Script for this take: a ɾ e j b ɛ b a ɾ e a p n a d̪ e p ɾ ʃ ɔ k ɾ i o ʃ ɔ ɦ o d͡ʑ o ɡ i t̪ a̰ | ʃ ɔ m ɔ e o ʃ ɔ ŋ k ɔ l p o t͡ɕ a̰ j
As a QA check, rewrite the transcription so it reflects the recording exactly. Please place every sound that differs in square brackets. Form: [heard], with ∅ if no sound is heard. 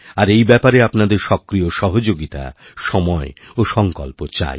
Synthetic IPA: a ɾ e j b ɛ [p] a ɾ e a p n a d̪ e [∅] ɾ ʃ ɔ k ɾ i o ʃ ɔ ɦ o d͡ʑ o ɡ i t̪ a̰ | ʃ ɔ m ɔ e o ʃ ɔ ŋ k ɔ l p o t͡ɕ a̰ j